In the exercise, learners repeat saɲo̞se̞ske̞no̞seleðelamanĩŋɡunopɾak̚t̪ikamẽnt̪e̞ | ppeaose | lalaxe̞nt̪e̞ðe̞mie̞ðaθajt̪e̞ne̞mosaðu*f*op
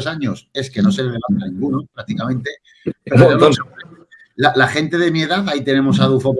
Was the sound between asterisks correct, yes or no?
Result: yes